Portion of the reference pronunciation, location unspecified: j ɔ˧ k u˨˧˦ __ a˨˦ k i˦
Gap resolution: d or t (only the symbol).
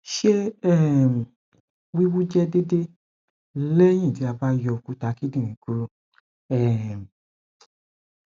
t